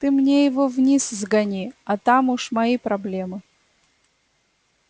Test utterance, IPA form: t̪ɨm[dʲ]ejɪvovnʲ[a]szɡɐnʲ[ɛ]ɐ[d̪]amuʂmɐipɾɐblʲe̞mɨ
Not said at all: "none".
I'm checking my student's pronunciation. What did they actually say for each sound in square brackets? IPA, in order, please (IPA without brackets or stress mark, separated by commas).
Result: nʲ, i, i, t̪